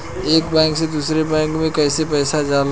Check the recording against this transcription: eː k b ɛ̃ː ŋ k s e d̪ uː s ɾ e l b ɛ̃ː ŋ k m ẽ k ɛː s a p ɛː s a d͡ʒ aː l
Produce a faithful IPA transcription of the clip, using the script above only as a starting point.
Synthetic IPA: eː k b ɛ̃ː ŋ k s e d̪ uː s ɾ e b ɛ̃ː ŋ k m ẽ k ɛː s e p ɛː s a d͡ʒ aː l